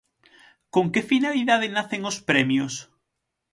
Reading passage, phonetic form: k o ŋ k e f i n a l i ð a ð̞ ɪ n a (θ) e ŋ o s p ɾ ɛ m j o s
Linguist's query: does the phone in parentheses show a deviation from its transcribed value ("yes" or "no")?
no